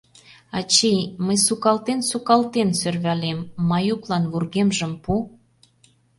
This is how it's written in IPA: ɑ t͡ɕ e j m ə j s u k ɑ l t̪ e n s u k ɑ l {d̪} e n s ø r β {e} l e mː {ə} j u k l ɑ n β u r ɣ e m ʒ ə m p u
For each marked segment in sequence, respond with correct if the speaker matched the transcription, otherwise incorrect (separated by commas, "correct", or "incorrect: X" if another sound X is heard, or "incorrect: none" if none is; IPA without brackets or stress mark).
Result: incorrect: t̪, incorrect: æ, incorrect: ɑ